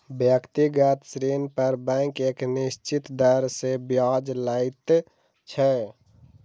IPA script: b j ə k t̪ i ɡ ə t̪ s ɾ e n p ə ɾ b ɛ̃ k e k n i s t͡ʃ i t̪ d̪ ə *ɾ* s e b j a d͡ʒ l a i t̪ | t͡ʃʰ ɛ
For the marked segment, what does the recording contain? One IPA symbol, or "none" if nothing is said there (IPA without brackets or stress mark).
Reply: ɾ